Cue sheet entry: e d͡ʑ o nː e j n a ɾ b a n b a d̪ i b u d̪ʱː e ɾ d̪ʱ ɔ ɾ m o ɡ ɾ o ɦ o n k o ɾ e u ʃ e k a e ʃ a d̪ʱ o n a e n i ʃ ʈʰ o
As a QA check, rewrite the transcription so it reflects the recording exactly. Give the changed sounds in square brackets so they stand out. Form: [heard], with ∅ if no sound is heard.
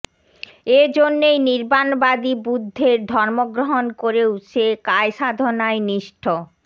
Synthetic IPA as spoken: e d͡ʑ o nː e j n [i] ɾ b a n b a d̪ i b u d̪ʱː e ɾ d̪ʱ ɔ ɾ m o ɡ ɾ o ɦ o n k o ɾ e u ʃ e k a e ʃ a d̪ʱ o n a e n i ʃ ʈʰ o